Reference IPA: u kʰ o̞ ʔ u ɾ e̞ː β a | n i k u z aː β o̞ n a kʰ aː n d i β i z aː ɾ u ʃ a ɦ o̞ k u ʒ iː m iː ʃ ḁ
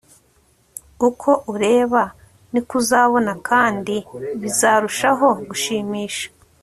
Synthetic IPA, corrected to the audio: u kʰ o̞ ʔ u ɾ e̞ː β a | n i k u z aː β o̞ n a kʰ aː n d i β i z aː ɾ u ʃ a ɦ o̞ ɡ u ʃ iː m iː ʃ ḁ